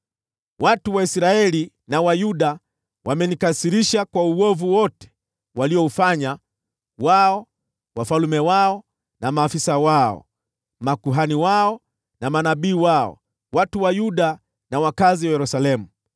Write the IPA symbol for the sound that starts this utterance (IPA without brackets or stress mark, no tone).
w